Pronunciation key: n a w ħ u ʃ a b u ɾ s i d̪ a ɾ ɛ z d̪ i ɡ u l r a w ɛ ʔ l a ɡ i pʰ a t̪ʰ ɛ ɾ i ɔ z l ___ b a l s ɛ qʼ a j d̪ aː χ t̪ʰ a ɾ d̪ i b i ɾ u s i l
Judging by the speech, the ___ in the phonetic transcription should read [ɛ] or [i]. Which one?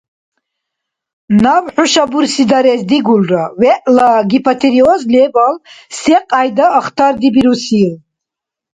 ɛ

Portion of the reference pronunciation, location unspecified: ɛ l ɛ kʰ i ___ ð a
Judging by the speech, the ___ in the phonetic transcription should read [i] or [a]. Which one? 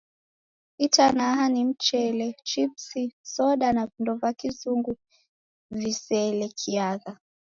a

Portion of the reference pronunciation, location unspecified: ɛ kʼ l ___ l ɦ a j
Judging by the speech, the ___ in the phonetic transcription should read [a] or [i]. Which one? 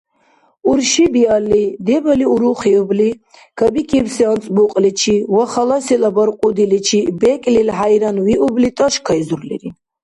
i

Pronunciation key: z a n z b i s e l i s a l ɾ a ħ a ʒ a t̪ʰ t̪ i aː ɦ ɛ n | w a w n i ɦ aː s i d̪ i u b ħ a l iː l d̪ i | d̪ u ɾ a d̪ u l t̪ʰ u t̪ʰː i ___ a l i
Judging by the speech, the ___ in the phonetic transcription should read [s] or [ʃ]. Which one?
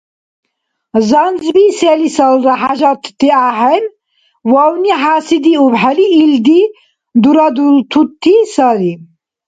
s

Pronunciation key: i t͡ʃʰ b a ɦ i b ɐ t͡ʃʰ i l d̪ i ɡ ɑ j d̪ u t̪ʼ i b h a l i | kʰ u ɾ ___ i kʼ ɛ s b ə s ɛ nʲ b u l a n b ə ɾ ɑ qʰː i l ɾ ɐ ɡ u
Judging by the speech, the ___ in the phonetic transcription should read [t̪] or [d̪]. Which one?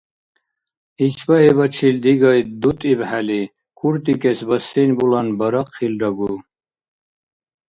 t̪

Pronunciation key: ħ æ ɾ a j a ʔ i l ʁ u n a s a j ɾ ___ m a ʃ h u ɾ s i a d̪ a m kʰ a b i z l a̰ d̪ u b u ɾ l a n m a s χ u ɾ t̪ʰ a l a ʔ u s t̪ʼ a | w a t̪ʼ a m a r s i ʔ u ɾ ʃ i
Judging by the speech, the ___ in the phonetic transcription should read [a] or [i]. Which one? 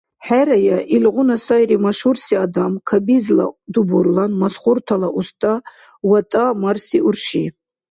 i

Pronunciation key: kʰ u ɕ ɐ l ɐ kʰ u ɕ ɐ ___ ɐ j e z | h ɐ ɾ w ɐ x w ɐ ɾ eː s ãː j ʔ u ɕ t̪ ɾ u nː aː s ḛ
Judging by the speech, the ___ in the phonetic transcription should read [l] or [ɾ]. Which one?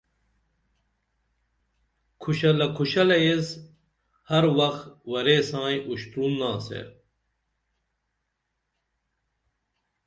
l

